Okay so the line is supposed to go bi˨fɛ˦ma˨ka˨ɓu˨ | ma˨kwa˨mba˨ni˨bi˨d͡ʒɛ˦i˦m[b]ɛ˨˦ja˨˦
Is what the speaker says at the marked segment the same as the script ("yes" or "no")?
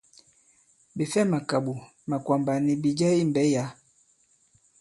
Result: yes